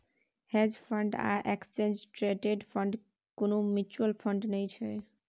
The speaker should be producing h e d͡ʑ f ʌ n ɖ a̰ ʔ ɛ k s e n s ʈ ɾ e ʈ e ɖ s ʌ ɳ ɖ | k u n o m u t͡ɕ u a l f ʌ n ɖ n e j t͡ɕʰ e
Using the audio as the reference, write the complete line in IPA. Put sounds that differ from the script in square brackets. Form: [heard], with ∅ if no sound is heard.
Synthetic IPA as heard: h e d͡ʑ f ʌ [ɳ] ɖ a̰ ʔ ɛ k s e n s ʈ ɾ e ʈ e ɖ [f] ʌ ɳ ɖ | k [o] n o m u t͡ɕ u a l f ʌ [ɳ] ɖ n e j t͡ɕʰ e